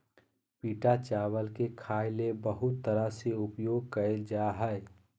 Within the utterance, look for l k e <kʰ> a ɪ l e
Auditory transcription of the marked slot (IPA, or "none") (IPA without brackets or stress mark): kʰ